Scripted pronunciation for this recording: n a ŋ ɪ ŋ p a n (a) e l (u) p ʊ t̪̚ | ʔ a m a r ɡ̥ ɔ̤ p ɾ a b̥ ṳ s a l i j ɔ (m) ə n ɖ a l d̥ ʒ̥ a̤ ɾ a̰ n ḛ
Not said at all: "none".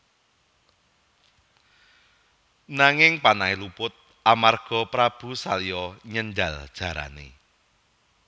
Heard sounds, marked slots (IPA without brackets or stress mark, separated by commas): a, u, ɲ